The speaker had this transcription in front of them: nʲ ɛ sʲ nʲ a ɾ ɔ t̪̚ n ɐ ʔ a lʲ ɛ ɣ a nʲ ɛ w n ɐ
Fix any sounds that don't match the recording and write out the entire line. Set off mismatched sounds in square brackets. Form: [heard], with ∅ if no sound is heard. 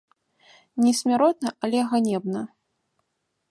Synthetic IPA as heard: nʲ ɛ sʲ [mʲ] a ɾ ɔ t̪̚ n ɐ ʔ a lʲ ɛ ɣ a nʲ ɛ [b] n ɐ